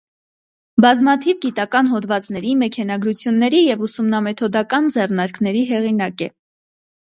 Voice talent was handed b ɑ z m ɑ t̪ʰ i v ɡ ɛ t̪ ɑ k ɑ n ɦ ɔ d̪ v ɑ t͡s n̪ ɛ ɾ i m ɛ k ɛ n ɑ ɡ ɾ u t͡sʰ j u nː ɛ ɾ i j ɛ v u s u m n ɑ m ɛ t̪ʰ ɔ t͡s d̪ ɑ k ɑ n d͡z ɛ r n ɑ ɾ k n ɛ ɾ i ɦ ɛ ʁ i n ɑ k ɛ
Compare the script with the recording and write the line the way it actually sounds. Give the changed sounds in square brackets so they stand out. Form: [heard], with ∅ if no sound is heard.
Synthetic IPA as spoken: b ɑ z m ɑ t̪ʰ i v ɡ [i] t̪ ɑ k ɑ n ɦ ɔ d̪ v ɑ t͡s n̪ ɛ ɾ i m ɛ [kʰ] ɛ n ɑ ɡ ɾ u t͡sʰ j u nː ɛ ɾ i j ɛ v u s u m n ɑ m ɛ t̪ʰ ɔ [∅] d̪ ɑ k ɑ n d͡z ɛ r n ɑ ɾ k n ɛ ɾ i ɦ ɛ ʁ i n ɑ k ɛ